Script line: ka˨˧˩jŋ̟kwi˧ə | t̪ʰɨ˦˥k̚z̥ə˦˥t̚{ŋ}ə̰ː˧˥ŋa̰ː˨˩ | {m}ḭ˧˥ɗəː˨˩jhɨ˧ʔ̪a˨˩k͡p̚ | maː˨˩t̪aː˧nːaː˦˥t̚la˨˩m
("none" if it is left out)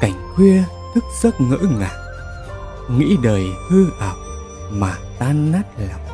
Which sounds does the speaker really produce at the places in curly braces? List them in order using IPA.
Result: ŋ, ŋ

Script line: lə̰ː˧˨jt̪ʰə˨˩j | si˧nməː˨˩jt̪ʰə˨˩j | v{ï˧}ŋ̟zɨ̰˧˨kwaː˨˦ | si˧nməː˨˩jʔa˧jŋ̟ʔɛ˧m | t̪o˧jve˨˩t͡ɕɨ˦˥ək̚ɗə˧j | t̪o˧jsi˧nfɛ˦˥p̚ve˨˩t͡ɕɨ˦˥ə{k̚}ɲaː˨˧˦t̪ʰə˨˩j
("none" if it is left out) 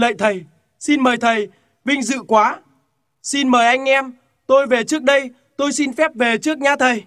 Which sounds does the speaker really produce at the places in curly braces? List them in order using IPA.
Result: ï˧, k̚

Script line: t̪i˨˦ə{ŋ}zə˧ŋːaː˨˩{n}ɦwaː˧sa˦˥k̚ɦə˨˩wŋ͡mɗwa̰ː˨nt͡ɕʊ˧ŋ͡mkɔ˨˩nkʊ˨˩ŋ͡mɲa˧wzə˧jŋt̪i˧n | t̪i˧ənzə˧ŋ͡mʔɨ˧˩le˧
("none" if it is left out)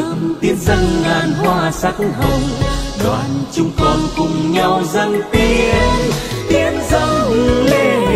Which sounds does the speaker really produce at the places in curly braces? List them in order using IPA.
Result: n, n

